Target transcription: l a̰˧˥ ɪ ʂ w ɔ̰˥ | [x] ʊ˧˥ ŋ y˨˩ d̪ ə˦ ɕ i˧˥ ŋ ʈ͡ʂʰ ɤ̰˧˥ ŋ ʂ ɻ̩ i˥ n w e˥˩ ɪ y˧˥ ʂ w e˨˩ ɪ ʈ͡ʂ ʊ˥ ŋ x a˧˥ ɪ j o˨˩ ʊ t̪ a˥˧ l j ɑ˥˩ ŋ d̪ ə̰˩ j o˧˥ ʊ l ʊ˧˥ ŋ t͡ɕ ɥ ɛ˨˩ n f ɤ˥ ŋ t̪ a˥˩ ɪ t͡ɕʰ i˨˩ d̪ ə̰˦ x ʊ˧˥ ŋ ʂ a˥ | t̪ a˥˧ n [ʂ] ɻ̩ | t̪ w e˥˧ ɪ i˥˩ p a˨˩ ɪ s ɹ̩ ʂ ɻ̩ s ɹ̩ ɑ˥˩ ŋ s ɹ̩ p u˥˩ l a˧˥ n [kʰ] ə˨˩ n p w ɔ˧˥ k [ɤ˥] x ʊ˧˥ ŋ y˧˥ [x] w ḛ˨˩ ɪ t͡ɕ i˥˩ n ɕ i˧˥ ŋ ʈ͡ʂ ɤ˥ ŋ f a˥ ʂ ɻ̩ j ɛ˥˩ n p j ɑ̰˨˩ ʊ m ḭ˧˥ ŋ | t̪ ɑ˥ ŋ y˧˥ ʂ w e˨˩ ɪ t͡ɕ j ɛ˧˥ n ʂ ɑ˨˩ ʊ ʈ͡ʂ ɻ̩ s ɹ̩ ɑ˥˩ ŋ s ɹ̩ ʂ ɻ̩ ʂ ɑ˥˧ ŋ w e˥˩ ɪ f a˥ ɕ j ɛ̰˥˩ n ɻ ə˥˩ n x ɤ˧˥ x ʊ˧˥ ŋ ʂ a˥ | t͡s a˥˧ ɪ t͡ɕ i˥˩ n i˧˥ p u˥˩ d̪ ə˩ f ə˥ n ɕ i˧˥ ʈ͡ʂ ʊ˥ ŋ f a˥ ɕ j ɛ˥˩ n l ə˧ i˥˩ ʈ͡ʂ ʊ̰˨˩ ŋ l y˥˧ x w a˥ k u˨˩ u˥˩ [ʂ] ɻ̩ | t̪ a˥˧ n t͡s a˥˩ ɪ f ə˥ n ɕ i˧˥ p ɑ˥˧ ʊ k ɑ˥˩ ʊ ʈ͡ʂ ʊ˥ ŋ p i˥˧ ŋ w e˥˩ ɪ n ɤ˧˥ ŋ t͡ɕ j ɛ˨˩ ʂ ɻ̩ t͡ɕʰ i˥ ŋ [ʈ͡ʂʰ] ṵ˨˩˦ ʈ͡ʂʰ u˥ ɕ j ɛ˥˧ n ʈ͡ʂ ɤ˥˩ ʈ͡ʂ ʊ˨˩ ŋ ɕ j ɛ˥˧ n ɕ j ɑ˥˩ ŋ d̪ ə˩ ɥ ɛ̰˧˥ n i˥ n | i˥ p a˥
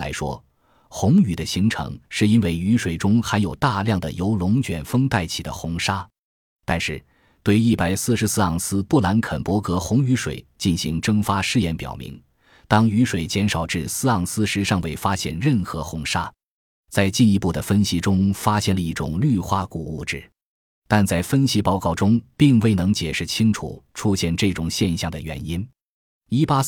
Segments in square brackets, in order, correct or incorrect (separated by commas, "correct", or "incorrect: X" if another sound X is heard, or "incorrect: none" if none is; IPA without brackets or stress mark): correct, correct, correct, incorrect: ɤ˧˥, incorrect: ʂ, incorrect: ʈ͡ʂ, correct